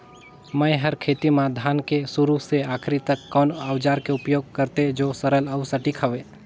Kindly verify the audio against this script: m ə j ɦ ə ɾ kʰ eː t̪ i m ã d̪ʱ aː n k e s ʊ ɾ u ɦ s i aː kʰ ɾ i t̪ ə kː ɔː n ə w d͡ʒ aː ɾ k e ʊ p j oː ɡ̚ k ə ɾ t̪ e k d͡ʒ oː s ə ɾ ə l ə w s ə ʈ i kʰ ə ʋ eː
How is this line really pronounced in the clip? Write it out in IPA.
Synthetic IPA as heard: m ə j ɦ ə ɾ kʰ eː t̪ i m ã d̪ʱ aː n k e s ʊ ɾ u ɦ s e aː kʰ ɾ i t̪ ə kː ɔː n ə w d͡ʒ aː ɾ k e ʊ p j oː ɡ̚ k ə ɾ t̪ e d͡ʒ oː s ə ɾ ə l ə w s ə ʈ i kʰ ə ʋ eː